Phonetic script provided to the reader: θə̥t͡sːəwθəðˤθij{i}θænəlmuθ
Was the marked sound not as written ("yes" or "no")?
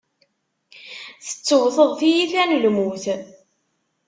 no